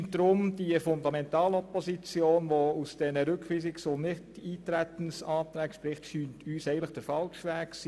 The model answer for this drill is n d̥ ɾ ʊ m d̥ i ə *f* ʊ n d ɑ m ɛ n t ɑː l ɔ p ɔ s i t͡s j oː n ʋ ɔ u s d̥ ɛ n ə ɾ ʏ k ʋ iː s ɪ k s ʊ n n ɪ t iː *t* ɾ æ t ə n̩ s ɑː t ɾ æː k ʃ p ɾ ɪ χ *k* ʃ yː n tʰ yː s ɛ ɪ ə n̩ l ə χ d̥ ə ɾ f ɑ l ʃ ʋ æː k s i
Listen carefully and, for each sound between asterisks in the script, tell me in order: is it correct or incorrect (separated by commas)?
correct, correct, incorrect